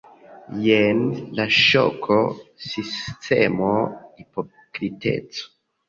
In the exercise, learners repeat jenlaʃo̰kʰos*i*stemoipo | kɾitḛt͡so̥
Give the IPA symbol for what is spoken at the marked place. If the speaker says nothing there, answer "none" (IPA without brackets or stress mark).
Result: i